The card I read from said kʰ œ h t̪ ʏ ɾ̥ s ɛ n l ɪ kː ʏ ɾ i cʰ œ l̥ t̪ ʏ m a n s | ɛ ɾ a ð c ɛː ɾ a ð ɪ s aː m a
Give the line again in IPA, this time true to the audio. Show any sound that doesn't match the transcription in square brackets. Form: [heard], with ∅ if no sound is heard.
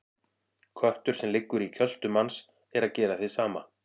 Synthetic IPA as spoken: kʰ œ h t̪ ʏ ɾ̥ s ɛ [m] l ɪ kː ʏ ɾ i cʰ œ l̥ t̪ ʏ m a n s | ɛ ɾ a ð c ɛː ɾ a [θ] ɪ s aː m a